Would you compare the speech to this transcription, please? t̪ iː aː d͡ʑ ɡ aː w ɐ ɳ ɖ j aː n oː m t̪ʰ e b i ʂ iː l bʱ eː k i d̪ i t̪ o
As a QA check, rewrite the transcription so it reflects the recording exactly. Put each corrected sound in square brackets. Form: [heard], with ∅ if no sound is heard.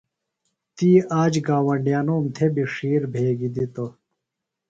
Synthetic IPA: t̪ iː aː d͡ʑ ɡ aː w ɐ ɳ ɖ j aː n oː m t̪ʰ e b i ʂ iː [ɾ] bʱ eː [ɡ] i d̪ i t̪ o